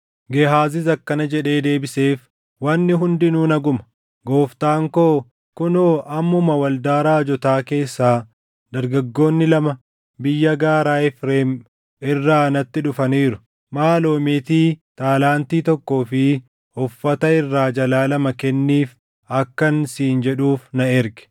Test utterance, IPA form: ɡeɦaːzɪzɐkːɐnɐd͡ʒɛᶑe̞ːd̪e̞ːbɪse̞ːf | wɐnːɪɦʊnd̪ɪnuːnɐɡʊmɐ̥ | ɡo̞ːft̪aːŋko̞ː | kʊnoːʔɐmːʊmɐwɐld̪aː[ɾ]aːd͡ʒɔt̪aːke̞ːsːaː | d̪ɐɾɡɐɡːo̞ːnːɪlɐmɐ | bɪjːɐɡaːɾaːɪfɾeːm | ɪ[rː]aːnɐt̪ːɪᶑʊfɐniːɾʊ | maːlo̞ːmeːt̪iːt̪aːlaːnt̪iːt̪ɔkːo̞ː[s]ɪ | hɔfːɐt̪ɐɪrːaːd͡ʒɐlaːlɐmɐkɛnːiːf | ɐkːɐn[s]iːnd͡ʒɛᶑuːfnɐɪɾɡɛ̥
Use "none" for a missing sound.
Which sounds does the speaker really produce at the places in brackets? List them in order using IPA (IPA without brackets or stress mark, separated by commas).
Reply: ɾ, rː, f, s